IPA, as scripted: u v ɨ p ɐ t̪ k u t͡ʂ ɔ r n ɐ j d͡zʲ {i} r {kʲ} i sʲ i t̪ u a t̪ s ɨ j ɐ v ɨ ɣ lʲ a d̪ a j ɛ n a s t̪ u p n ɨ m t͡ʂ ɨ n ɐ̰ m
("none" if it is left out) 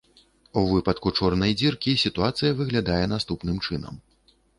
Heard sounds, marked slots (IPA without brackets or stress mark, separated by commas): i, kʲ